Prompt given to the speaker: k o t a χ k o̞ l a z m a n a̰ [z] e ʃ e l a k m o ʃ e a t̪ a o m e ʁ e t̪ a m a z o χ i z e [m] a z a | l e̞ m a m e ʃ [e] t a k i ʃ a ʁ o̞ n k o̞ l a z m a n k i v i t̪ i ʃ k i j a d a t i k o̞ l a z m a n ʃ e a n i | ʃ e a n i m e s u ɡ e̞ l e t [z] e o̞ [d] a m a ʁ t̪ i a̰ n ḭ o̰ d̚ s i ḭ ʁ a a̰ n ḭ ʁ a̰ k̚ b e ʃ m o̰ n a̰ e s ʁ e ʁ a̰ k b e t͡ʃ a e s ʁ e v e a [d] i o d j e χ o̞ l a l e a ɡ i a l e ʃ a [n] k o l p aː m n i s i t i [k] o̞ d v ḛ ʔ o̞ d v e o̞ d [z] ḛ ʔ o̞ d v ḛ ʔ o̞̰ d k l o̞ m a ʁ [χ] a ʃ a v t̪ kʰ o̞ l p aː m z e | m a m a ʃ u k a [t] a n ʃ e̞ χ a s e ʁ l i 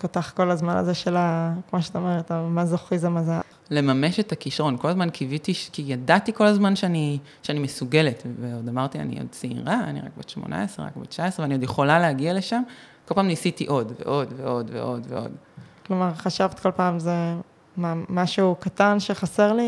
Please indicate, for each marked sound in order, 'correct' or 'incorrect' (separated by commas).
correct, correct, correct, incorrect, correct, incorrect, incorrect, incorrect, incorrect, correct, correct